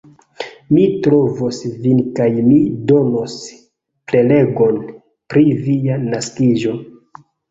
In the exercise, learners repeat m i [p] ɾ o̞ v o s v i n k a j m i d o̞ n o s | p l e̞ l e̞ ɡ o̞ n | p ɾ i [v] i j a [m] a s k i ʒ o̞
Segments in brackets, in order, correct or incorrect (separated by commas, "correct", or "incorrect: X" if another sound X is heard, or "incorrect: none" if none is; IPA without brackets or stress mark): incorrect: t, correct, incorrect: n